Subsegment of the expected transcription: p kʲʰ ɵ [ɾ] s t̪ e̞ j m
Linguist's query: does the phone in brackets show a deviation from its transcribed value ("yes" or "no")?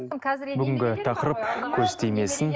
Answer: no